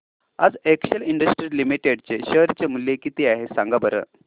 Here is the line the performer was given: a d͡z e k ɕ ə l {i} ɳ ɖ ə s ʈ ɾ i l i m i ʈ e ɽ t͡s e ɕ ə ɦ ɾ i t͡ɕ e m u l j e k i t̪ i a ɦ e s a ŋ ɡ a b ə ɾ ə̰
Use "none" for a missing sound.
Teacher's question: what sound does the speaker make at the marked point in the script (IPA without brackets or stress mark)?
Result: i